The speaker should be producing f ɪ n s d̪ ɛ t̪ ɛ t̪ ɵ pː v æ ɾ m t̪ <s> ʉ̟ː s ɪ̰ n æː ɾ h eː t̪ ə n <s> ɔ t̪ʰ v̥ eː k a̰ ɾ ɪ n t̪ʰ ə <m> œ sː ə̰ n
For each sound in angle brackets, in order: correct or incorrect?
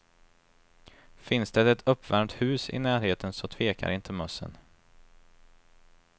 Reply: incorrect: h, correct, correct

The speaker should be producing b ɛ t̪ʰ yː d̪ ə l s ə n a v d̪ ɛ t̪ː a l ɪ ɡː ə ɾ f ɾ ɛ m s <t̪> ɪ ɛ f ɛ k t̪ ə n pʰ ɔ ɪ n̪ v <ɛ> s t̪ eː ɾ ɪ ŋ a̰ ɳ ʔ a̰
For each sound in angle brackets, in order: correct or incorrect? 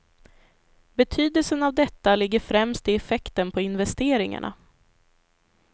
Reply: correct, correct

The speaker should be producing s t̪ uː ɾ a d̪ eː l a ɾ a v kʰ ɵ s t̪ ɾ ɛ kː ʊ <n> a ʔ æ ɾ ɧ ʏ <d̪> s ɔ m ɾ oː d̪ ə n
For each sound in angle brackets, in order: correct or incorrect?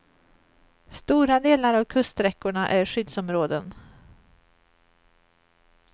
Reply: incorrect: ɳ, correct

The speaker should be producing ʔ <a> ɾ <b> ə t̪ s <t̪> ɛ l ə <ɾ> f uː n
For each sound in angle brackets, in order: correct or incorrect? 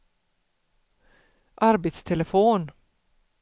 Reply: incorrect: ɑ, correct, incorrect: t̪ʰ, incorrect: none

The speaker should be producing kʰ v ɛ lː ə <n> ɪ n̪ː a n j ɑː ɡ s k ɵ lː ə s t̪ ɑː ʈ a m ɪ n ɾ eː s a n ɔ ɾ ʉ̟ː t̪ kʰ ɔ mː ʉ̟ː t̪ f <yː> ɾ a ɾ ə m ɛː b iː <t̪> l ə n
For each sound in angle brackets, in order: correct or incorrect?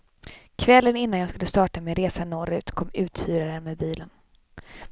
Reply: correct, correct, incorrect: none

